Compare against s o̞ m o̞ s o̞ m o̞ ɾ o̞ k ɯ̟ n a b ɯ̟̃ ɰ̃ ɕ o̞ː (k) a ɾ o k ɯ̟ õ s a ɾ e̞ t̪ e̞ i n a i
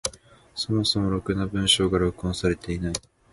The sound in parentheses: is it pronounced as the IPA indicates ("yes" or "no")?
no